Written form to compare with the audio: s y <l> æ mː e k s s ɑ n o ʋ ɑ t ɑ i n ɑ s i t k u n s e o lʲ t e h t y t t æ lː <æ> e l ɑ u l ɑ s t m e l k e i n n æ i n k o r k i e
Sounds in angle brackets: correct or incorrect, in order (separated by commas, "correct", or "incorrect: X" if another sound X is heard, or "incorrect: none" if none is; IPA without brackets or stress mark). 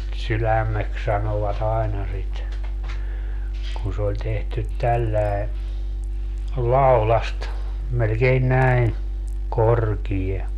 correct, correct